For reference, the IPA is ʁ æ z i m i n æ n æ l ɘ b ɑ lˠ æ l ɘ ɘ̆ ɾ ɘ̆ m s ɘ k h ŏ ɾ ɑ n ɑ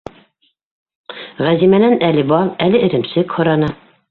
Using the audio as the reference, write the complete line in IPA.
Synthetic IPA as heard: ʁ æ z i m æ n æ n æ l ɘ b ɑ lˠ æ l ɘ ɘ̆ ɾ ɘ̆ m s ɘ k h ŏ ɾ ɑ n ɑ